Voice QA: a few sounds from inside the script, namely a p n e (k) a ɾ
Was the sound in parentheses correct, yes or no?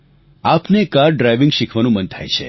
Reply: yes